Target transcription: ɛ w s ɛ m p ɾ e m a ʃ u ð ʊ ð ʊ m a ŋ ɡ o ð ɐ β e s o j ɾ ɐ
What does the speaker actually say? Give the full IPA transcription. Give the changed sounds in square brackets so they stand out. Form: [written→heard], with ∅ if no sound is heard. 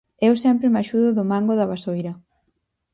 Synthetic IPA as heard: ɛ w s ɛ m p ɾ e m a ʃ u ð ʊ ð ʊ m a ŋ ɡ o ð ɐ β [e→a] s o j ɾ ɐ